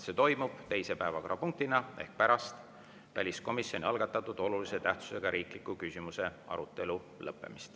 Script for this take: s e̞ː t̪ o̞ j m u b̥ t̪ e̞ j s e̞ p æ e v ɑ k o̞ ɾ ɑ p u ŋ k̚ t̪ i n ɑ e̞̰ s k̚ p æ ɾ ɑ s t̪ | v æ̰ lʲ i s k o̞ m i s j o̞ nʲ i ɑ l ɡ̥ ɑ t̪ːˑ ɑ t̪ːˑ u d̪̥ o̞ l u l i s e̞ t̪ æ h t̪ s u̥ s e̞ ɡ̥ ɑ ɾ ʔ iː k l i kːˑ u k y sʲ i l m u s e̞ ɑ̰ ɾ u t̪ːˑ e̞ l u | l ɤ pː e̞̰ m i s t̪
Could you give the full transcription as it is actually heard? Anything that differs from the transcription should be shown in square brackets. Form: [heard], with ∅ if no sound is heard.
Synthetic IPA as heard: s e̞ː t̪ o̞ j m u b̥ t̪ e̞ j s e̞ p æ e v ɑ k o̞ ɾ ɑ p u ŋ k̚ t̪ i n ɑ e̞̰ [h] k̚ p æ ɾ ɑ s t̪ | v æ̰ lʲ i s k o̞ m i s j o̞ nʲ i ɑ l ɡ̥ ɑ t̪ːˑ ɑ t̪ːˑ u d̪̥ o̞ l u l i s e̞ t̪ æ h t̪ s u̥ s e̞ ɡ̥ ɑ ɾ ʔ iː k l i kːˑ u k y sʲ i [∅] m u s e̞ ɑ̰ ɾ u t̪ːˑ e̞ l u | l ɤ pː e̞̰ m i s t̪